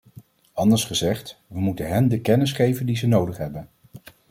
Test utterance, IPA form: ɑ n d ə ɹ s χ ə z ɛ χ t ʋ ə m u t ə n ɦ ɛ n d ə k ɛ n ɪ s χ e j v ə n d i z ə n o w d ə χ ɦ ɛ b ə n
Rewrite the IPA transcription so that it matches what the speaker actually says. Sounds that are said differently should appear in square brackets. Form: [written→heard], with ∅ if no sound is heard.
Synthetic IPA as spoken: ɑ n d ə ɹ s χ ə z ɛ χ t ʋ ə m u t ə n ɦ ɛ n d ə k ɛ n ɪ s χ e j v ə n d i z ə n o w d ə χ ɦ ɛ b ə n